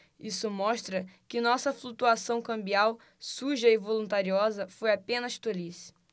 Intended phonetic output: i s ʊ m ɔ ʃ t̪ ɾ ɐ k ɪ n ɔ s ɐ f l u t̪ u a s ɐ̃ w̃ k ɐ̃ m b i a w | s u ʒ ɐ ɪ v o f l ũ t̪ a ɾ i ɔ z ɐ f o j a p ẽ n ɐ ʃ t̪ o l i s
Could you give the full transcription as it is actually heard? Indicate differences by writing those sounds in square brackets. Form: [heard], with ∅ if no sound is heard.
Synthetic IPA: i s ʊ m ɔ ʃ t̪ ɾ ɐ k ɪ n ɔ s ɐ f l u t̪ u a s ɐ̃ w̃ k ɐ̃ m b i a w | s u ʒ ɐ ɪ v o [∅] l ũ t̪ a ɾ i ɔ z ɐ f o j a p ẽ n ɐ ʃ t̪ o l i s